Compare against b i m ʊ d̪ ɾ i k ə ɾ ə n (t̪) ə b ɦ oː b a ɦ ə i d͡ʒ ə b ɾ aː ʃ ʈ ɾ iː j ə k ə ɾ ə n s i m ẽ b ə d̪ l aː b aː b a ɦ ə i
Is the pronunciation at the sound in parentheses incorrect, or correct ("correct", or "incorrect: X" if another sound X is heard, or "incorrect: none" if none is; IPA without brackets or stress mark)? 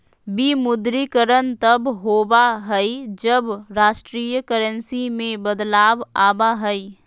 correct